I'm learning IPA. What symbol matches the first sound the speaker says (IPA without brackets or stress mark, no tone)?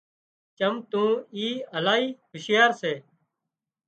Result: t͡ʃ